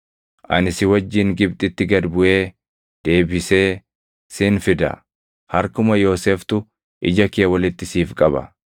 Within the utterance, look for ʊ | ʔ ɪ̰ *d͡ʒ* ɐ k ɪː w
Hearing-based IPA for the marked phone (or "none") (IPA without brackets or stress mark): d͡ʒ